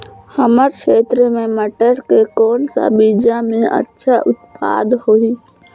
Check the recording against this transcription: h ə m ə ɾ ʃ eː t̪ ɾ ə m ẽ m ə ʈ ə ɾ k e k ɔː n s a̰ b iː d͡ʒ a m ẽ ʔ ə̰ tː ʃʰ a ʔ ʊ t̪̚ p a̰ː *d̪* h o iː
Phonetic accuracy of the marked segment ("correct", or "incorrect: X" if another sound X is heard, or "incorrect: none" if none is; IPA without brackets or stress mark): correct